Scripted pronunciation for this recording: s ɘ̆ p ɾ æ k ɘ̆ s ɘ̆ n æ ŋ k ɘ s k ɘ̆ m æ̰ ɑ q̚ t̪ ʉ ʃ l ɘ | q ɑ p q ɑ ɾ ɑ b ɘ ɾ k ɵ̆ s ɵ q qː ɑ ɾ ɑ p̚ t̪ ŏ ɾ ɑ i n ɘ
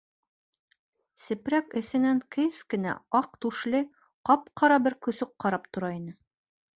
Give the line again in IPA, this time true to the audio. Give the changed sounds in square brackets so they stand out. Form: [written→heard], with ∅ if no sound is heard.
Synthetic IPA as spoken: s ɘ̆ p ɾ æ k ɘ̆ s ɘ̆ n æ ŋ k ɘ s k ɘ̆ [m→n] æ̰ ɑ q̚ t̪ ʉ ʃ l ɘ | q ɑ p q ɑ ɾ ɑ b ɘ ɾ k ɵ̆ s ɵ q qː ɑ ɾ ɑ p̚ t̪ ŏ ɾ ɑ i n ɘ